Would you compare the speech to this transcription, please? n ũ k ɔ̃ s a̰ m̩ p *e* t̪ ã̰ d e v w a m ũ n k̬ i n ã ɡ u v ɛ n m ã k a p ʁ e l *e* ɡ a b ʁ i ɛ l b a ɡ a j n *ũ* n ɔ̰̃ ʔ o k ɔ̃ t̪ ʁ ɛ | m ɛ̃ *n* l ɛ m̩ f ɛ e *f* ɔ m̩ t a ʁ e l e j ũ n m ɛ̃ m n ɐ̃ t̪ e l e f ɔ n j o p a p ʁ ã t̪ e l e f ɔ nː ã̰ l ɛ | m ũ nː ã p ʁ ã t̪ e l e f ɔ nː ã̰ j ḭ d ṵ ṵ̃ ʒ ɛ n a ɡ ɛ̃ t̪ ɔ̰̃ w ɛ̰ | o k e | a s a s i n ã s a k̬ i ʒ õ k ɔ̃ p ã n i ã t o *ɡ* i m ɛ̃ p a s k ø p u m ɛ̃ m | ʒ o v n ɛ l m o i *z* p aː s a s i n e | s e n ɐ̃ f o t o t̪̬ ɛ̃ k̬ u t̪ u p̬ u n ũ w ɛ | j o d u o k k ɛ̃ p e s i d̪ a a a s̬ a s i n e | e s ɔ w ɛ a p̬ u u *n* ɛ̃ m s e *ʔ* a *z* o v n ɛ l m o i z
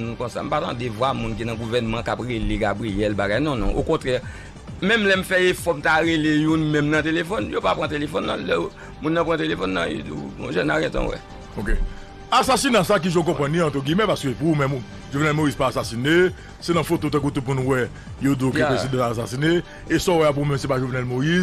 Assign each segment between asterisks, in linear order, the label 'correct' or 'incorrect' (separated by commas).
incorrect, correct, incorrect, incorrect, correct, correct, correct, incorrect, incorrect, incorrect